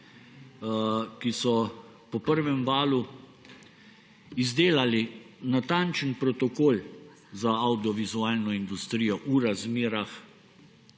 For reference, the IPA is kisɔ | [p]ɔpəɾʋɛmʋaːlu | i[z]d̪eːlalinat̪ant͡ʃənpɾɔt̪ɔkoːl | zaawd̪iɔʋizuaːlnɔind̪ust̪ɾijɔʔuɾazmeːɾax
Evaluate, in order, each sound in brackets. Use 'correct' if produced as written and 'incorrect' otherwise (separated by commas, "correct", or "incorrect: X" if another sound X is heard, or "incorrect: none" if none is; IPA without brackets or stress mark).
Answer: correct, correct